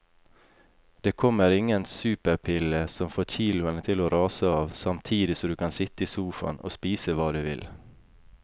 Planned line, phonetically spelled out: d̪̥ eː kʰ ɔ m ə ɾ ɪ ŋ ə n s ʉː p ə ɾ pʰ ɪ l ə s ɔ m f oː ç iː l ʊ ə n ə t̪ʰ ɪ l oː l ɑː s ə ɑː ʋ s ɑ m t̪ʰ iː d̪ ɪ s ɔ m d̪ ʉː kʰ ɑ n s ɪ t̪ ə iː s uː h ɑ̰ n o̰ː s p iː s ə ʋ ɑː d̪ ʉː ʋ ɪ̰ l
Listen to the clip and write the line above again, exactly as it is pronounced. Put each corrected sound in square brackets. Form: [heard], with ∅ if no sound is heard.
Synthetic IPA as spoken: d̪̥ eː kʰ ɔ m ə ɾ ɪ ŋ ə n s ʉː p ə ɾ pʰ ɪ l ə s ɔ m f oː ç iː l ʊ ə n ə t̪ʰ ɪ l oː [ɾ] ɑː s ə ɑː ʋ s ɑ m t̪ʰ iː d̪ ɪ s ɔ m d̪ ʉː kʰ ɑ n s ɪ t̪ ə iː s uː [f] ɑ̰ n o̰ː s p iː s ə ʋ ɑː d̪ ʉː ʋ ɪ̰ l

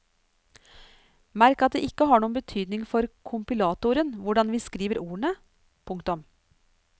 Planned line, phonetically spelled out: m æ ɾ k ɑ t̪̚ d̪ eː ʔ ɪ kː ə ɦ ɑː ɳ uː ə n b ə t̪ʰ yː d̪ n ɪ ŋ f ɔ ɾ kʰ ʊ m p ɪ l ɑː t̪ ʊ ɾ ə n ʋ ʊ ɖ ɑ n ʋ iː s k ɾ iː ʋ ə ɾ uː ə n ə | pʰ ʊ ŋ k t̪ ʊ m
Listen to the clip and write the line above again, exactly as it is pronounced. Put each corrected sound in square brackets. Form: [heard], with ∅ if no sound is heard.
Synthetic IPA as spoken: m æ ɾ k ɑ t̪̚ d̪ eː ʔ ɪ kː ə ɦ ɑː ɳ uː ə n b ə t̪ʰ yː d̪ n ɪ ŋ f ɔ ɾ kʰ ʊ m p ɪ l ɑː t̪ ʊ ɾ ə n ʋ ʊ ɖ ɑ n ʋ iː s k ɾ iː ʋ ə ɾ uː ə [ɳ] ə | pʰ ʊ ŋ k t̪ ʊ m

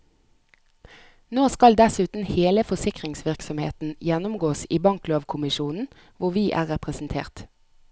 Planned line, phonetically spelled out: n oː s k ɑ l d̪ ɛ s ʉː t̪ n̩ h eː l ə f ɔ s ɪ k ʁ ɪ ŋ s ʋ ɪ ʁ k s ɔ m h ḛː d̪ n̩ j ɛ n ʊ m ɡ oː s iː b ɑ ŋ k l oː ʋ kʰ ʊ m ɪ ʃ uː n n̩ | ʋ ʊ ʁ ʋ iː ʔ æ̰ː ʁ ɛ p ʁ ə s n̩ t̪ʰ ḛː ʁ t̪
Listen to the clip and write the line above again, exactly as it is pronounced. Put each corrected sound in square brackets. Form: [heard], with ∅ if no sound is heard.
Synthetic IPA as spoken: n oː s k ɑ l d̪ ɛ s ʉː t̪ n̩ h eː l ə f ɔ s ɪ k ʁ ɪ ŋ s ʋ ɪ ʁ k s ɔ m h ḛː [t̪] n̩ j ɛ n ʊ m ɡ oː s iː b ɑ ŋ k l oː ʋ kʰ ʊ m ɪ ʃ uː n n̩ | ʋ ʊ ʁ ʋ iː ʔ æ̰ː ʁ ɛ p ʁ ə s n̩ t̪ʰ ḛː ʁ t̪

